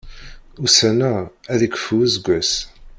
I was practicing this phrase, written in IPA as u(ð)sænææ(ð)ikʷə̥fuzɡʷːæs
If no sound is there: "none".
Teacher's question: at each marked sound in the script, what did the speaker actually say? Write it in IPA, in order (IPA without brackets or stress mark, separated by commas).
none, ð